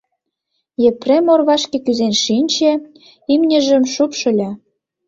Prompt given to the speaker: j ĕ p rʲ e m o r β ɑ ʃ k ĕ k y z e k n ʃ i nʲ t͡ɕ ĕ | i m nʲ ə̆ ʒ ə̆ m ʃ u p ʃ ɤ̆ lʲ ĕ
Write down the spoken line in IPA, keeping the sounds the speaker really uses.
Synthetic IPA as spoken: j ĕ p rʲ e m o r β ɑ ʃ k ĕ k y z e n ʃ i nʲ t͡ɕ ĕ | i m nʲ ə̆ ʒ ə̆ m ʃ u p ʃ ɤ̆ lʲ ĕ